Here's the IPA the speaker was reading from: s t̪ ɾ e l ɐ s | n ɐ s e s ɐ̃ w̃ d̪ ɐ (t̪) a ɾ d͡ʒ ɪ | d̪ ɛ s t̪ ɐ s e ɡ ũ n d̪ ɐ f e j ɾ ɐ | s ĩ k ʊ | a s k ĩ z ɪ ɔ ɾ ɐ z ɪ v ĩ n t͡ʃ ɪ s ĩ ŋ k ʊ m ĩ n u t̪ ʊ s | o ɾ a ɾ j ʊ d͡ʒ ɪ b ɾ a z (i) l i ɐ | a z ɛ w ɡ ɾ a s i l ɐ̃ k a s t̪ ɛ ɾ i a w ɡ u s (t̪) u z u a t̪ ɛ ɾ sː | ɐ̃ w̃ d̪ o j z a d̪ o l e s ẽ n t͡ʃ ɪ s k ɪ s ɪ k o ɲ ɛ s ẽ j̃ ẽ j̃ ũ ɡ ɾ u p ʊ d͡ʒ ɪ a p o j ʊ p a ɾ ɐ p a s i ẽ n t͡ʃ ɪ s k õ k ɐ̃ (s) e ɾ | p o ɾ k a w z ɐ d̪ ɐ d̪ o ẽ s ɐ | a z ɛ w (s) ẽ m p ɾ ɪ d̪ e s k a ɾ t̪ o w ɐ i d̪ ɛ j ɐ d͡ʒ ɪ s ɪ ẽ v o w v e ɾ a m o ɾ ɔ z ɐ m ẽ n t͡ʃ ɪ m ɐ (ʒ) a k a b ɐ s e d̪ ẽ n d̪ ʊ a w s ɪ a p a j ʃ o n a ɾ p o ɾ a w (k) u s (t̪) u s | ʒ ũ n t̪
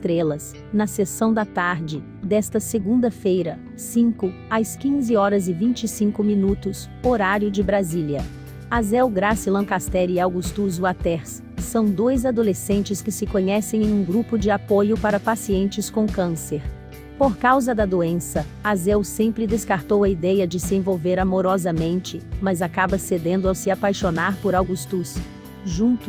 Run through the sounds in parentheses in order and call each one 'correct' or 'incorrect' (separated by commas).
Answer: correct, correct, correct, correct, correct, incorrect, incorrect, correct